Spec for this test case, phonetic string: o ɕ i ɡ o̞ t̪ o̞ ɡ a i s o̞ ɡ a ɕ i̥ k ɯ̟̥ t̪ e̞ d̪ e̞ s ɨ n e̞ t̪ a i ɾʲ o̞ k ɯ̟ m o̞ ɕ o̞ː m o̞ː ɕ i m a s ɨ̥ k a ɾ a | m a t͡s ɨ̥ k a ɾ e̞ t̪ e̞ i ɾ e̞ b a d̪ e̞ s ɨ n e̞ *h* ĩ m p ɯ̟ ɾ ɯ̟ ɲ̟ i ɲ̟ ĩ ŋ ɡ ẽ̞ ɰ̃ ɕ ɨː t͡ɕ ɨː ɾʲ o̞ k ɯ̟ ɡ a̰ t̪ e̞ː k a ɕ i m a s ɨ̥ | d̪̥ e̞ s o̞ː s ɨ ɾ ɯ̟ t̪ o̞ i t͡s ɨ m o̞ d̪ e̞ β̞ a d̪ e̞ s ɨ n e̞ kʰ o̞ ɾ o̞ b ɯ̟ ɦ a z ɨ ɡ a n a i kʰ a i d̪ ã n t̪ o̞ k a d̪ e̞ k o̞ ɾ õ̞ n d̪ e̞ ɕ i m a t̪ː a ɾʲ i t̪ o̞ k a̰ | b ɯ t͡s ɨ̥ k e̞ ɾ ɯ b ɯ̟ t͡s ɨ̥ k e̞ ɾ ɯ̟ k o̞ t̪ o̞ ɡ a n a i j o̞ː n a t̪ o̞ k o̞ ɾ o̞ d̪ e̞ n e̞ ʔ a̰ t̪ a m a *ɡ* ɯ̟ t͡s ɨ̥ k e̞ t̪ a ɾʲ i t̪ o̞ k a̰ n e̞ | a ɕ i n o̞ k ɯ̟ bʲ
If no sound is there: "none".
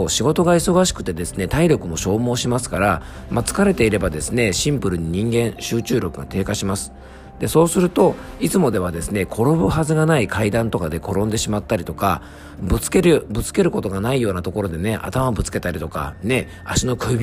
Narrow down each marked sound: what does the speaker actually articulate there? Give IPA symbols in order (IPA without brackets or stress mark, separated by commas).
ɕ, b